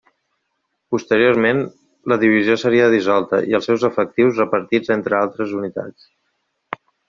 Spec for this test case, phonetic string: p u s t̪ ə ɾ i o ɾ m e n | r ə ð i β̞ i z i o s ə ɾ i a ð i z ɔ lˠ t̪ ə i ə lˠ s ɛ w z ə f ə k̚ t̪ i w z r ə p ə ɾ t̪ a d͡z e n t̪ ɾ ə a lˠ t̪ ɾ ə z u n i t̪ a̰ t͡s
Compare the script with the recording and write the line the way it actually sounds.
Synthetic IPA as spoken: p u s t̪ ə ɾ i o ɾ m e n | l ə ð i β̞ i z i o s ə ɾ i ə ð i z ɔ lˠ t̪ ə i ə lˠ s ɛ w z ə f ə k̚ t̪ i w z r ə p ə ɾ t̪ i d͡z e n t̪ ɾ ə a lˠ t̪ ɾ ə z u n i t̪ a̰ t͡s